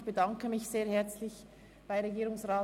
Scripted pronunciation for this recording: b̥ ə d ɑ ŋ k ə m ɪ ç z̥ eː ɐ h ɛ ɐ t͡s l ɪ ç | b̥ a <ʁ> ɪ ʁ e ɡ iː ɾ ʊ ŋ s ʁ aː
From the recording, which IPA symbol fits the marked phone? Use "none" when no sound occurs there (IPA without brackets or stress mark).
none